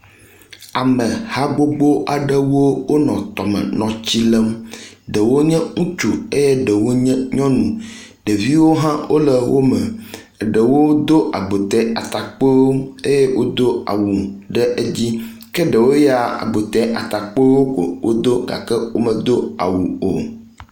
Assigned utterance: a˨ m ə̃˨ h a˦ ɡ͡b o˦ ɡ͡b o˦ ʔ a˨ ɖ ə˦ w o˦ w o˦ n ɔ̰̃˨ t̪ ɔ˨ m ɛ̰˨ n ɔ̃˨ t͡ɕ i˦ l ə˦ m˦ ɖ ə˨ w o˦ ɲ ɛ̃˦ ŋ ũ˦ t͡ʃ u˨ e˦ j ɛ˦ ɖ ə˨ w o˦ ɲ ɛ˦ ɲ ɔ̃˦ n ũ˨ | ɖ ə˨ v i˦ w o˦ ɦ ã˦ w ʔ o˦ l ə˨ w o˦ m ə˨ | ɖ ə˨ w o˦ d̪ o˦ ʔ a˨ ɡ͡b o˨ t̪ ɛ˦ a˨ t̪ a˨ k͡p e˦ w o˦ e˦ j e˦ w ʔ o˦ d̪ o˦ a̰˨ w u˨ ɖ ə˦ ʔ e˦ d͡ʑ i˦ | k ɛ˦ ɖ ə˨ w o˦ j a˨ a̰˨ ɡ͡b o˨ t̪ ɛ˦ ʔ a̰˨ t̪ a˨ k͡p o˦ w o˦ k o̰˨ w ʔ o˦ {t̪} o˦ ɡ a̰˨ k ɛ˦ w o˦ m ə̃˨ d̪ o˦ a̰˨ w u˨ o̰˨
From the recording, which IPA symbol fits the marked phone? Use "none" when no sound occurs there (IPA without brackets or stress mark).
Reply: d̪